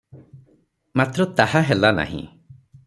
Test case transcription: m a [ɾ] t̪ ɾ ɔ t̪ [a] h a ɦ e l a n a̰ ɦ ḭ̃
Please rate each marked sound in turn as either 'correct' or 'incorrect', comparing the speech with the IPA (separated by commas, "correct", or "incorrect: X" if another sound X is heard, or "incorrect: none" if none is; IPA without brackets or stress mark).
incorrect: none, correct